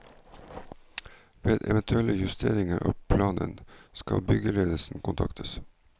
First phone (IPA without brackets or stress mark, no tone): ʋ